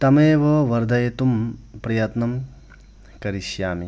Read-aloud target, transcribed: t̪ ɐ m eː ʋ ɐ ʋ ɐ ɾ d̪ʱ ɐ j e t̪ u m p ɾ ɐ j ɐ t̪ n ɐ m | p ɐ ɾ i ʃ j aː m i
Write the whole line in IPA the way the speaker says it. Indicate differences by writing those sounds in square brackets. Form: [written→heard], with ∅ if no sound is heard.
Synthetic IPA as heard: t̪ ɐ m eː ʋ ɐ ʋ ɐ ɾ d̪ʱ ɐ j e t̪ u m p ɾ ɐ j ɐ t̪ n ɐ m | [p→k] ɐ ɾ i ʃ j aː m i